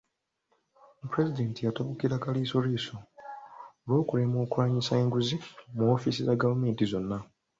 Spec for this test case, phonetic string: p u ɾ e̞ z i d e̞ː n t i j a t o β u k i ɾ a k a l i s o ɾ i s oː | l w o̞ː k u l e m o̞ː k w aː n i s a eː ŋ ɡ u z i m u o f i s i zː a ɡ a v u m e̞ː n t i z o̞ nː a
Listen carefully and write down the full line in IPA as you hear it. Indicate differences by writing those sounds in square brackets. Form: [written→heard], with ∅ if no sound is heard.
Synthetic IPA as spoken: p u ɾ e̞ z i d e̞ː n t i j a t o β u k i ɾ a k a l i s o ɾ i s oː | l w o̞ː k u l e m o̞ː k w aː [n→ɲ] i s a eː ŋ ɡ u z i m u o f i s i [zː→z] a ɡ a v u m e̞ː n t i z o̞ nː a